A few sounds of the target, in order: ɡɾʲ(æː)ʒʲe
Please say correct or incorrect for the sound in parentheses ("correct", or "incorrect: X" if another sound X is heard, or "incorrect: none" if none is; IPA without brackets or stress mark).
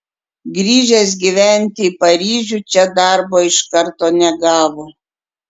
incorrect: iː